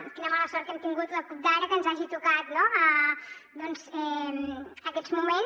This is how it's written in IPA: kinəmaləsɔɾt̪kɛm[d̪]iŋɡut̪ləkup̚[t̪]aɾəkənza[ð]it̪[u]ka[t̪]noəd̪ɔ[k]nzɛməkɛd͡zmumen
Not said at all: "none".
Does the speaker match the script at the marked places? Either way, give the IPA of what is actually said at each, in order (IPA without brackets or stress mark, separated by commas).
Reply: t̪, d̪, ʒ, u, t̪, none